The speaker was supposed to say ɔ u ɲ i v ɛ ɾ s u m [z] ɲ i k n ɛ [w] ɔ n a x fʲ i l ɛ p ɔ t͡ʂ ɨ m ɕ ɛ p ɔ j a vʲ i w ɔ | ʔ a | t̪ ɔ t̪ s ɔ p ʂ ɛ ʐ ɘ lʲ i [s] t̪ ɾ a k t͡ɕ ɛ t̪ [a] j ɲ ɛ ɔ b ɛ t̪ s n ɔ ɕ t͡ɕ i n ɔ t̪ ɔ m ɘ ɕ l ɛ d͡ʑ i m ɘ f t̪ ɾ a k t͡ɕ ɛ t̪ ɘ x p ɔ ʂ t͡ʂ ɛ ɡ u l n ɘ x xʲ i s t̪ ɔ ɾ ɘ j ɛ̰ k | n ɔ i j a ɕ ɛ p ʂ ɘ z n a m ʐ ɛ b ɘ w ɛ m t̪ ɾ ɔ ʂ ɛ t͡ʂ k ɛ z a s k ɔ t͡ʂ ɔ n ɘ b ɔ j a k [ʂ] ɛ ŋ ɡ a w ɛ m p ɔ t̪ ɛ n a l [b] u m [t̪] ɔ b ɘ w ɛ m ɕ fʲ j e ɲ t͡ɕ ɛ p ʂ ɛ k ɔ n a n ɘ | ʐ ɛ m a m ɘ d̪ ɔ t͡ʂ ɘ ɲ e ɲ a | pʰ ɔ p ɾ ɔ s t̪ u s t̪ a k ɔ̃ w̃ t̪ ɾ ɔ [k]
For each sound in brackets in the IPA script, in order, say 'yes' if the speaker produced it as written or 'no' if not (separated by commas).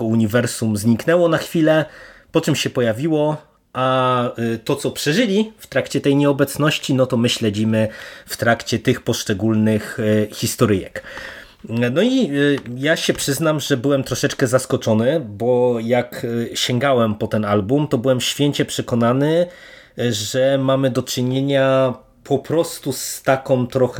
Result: yes, yes, no, no, no, yes, yes, no